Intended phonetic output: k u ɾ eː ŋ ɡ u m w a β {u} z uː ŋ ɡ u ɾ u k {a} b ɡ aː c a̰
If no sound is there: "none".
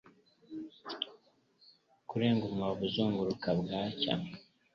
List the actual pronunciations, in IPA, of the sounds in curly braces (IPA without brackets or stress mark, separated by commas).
u, a